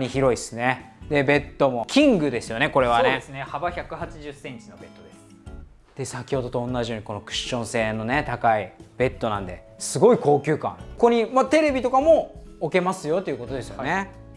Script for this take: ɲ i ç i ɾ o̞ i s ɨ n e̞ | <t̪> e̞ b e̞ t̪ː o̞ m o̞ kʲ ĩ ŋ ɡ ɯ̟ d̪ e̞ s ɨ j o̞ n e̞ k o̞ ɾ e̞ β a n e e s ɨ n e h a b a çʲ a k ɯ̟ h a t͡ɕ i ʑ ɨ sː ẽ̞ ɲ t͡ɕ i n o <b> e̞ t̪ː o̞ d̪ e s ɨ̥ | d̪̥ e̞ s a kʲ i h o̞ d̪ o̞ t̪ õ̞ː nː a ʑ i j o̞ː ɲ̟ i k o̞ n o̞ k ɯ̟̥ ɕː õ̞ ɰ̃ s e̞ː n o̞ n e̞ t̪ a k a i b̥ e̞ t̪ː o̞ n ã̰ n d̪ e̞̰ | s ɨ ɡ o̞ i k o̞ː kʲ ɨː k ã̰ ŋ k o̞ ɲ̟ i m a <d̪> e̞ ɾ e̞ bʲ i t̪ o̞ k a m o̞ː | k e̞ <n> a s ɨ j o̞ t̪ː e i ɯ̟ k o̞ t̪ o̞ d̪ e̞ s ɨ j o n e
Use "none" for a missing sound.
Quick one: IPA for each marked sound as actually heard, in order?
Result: d̪, b, t̪, m

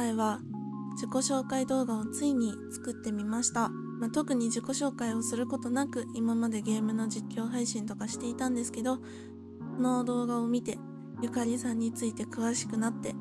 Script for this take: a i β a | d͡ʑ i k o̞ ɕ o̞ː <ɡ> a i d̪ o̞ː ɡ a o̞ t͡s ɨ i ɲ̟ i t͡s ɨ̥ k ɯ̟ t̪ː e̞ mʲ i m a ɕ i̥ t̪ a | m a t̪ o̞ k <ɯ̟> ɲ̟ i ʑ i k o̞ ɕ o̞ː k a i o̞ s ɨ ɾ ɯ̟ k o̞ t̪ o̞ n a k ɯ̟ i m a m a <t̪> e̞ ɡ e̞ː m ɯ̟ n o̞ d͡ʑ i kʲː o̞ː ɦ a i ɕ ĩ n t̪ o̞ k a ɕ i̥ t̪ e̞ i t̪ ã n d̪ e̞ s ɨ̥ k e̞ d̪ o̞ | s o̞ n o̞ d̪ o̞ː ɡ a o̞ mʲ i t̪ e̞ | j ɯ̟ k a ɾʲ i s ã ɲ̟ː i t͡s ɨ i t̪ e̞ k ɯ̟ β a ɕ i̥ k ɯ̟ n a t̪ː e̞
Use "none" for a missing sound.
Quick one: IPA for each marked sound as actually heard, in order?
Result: k, ɯ̟, d̪

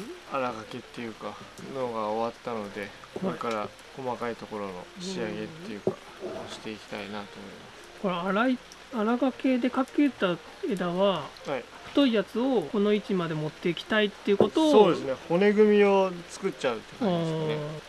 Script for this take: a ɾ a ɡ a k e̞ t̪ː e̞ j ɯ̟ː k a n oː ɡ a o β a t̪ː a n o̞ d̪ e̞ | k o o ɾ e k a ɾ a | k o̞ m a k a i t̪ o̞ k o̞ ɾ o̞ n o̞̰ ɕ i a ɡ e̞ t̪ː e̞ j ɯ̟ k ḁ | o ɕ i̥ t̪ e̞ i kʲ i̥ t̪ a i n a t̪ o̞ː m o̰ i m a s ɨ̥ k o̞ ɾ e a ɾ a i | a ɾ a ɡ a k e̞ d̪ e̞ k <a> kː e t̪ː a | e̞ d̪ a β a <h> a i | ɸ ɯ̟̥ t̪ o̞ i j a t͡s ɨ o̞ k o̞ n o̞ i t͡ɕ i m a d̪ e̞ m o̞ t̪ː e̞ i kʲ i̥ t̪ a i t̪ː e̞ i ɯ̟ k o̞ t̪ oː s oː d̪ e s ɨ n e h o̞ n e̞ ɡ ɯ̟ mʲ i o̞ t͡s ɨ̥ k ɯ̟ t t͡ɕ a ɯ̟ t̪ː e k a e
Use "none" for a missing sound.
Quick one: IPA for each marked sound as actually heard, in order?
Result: a, h

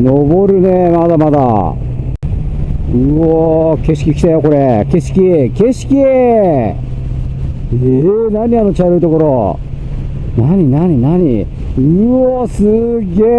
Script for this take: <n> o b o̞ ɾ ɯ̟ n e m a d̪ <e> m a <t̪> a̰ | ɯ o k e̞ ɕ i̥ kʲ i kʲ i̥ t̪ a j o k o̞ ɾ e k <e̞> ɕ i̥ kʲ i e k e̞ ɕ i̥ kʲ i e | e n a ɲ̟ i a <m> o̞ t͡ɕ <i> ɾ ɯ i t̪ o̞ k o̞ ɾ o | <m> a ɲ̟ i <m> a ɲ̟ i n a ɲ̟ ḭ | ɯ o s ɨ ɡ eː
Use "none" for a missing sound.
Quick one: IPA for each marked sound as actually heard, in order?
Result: n, a, d̪, e̞, n, a, n, n

